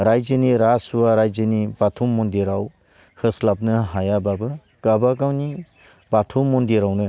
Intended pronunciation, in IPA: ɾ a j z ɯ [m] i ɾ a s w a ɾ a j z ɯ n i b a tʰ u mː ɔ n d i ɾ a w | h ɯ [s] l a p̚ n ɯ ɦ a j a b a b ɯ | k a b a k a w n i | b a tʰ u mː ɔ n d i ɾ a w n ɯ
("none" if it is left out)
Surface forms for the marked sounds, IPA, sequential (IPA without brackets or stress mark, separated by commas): n, s